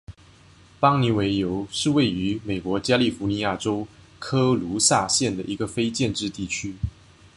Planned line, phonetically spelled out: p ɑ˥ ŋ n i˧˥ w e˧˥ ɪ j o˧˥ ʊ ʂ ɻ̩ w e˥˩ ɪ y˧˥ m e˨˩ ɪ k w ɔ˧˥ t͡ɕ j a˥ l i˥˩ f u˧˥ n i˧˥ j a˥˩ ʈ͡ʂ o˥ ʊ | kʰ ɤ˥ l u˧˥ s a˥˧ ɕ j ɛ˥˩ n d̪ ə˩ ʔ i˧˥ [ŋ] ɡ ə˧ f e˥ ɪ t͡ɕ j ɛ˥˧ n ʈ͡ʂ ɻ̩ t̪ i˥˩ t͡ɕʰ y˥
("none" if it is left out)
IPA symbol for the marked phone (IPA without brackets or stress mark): none